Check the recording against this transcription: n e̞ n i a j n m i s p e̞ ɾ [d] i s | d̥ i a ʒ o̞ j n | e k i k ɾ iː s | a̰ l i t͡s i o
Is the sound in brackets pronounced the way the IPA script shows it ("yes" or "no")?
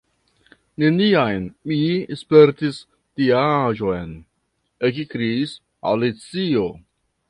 no